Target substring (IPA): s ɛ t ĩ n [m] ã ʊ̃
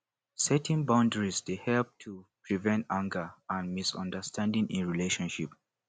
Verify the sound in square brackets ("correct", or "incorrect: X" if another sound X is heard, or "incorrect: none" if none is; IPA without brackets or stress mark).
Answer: incorrect: b